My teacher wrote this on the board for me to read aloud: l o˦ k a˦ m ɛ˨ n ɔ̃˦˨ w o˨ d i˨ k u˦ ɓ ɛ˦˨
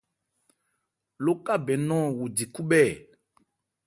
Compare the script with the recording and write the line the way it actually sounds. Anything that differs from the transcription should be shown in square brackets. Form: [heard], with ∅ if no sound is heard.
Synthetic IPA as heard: l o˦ k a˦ [b] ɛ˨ n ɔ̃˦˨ w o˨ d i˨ k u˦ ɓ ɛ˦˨